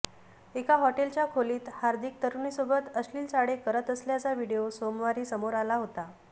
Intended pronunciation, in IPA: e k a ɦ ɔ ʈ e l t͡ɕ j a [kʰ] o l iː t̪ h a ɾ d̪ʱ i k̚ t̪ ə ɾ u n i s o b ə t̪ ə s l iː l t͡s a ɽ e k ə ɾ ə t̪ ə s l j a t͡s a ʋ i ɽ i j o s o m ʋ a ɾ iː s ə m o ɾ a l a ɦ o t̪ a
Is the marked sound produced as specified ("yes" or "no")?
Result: yes